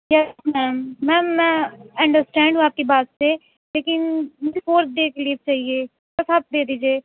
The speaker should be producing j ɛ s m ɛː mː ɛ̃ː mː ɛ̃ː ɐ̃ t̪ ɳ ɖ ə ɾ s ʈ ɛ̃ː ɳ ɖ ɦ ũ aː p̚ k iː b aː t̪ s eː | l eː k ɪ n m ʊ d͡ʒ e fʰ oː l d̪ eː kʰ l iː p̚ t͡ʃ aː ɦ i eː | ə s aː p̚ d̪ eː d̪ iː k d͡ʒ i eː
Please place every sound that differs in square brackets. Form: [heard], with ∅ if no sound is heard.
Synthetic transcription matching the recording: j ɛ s m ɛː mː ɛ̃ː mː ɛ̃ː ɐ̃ [∅] ɳ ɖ ə ɾ s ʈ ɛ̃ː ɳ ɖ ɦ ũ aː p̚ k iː b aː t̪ s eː | l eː k ɪ n m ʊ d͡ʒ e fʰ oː [ɾ] d̪ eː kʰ l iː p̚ t͡ʃ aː ɦ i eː | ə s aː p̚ d̪ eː d̪ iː [∅] d͡ʒ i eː